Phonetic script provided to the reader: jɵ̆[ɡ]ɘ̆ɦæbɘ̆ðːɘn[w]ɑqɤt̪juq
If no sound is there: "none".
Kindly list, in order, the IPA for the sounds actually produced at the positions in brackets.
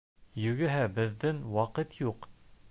ɡ, w

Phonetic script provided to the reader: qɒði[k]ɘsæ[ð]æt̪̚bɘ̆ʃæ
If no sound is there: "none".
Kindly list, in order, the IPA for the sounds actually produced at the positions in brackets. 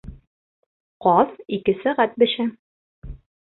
k, ʁ

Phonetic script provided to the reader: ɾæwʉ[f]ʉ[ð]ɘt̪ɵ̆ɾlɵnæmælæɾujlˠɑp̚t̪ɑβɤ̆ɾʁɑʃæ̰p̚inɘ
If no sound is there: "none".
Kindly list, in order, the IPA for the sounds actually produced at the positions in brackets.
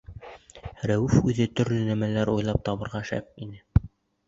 f, ð

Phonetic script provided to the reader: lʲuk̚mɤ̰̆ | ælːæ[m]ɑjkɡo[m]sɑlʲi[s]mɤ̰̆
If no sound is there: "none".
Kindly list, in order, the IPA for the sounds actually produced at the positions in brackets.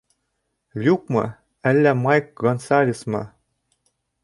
m, n, s

